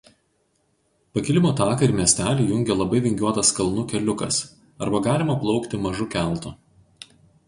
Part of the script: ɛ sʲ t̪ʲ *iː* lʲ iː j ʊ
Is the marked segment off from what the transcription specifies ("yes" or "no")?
yes